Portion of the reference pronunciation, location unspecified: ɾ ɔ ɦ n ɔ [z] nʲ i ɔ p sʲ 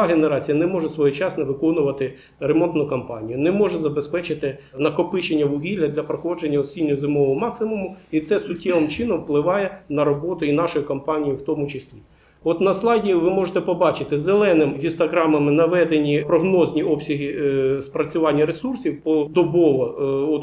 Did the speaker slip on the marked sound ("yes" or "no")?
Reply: no